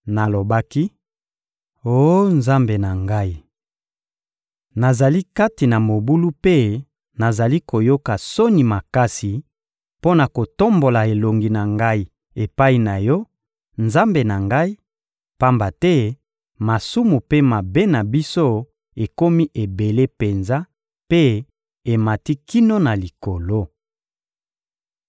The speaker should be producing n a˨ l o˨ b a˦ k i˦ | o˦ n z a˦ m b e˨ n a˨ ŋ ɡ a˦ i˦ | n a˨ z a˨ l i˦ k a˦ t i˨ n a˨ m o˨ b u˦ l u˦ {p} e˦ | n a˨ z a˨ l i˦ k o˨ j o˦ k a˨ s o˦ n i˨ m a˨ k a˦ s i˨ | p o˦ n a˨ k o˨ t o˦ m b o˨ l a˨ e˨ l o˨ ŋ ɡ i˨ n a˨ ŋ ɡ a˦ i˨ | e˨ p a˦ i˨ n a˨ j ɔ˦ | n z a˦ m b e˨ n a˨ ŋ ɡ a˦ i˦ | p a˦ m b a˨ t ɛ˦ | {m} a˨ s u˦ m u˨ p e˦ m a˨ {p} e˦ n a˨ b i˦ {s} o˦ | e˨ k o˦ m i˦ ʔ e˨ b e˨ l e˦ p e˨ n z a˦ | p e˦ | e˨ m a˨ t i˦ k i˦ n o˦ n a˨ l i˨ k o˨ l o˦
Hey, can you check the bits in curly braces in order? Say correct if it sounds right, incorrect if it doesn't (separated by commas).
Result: correct, correct, incorrect, correct